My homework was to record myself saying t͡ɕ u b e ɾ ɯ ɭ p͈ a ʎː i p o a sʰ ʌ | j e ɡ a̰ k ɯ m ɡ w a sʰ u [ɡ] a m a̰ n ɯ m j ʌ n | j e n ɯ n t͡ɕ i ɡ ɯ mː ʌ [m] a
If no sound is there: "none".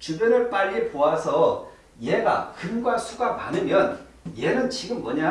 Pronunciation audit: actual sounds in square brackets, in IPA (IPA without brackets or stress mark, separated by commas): ɡ, ɲ